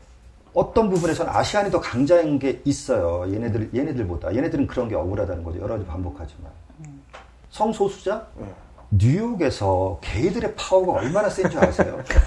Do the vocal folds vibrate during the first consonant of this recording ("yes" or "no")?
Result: no